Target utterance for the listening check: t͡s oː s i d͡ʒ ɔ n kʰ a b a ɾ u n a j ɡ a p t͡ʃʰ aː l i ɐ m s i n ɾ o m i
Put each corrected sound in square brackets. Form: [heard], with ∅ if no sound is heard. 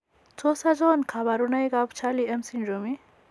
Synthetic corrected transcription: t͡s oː s [a] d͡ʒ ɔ n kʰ a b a ɾ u n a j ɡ a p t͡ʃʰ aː l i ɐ m s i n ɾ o m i